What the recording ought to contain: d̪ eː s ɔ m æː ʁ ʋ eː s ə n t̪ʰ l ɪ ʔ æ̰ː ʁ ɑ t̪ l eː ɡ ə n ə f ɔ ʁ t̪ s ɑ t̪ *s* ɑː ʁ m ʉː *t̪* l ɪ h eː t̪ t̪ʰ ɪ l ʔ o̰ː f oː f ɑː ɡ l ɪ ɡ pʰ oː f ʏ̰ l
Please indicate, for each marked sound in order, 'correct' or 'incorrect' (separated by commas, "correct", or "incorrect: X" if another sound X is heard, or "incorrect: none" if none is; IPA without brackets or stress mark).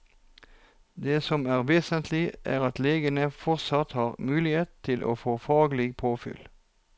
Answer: incorrect: h, incorrect: none